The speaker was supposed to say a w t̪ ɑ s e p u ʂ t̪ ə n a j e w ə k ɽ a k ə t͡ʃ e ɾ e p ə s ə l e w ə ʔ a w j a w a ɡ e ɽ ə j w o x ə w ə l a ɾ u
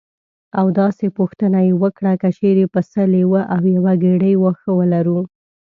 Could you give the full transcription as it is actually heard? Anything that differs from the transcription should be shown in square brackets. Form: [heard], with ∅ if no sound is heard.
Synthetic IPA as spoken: a w [d̪] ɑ s e p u [x] t̪ ə n a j e w ə k ɽ a k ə t͡ʃ e ɾ e p ə s ə l e w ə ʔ a w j a w a ɡ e ɽ ə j w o x ə w ə l a ɾ u

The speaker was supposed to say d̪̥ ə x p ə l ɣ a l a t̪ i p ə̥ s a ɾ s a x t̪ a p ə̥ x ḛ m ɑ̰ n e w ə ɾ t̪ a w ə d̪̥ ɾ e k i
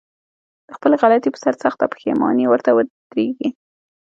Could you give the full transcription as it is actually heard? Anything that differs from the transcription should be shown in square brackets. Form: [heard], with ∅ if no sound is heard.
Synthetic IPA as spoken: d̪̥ ə x p ə l ɣ a l a t̪ i p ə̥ s a ɾ s a x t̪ a p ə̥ x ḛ m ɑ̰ n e w ə ɾ t̪ a w ə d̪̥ ɾ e [ɡ] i

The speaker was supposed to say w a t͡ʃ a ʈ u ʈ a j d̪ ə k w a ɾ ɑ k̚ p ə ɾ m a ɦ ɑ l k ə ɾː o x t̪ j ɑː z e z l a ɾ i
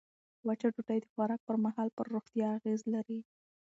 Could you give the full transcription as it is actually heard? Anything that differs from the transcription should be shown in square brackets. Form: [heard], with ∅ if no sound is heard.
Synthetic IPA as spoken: w a t͡ʃ a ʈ u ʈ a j d̪ ə [x] w a ɾ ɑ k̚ p ə ɾ m a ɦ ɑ l [p] ə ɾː o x t̪ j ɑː [ɣ] e z l a ɾ i

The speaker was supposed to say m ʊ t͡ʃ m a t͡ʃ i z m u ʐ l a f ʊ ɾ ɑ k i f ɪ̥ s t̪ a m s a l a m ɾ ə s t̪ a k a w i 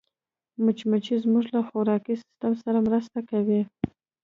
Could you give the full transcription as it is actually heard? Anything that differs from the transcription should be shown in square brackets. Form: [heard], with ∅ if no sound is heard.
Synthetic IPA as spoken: m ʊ t͡ʃ m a t͡ʃ i z m u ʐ l a [x] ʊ ɾ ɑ k i [s] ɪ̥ s t̪ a m s a [ɾ] a m ɾ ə s t̪ a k a w i

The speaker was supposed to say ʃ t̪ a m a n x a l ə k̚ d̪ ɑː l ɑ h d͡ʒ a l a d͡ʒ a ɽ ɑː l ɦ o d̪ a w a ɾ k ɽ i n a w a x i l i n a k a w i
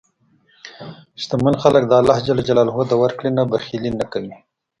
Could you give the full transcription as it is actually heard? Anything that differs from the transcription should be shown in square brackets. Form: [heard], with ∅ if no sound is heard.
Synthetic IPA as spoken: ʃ t̪ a m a n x a l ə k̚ d̪ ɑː l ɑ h d͡ʒ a l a d͡ʒ a [l] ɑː l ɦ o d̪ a w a ɾ k ɽ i n a [b] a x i l i n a k a w i

